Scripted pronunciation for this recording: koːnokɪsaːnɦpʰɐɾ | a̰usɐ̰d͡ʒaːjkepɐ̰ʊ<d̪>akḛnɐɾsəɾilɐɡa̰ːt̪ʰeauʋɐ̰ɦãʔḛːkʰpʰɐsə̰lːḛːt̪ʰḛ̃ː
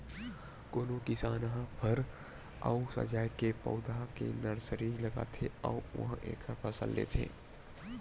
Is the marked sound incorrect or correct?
correct